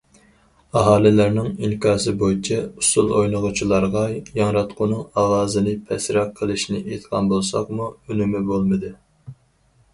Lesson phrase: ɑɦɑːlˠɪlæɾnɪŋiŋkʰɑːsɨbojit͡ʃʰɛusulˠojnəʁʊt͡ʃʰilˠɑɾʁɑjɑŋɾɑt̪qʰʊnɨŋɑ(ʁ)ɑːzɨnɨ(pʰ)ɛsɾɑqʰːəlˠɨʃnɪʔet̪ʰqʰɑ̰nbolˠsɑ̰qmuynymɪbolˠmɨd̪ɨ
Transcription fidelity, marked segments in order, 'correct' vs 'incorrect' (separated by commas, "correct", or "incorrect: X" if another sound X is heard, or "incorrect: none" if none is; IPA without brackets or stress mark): correct, correct